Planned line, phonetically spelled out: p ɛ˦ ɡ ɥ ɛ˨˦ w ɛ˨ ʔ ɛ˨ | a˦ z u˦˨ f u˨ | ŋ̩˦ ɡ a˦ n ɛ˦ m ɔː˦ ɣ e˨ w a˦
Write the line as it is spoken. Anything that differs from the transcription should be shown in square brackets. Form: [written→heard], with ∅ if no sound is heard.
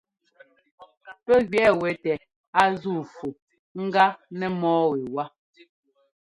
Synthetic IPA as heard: p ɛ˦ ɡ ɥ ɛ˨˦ w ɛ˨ [ʔ→t] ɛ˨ | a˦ z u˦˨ f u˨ | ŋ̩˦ ɡ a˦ n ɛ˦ m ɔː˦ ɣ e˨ w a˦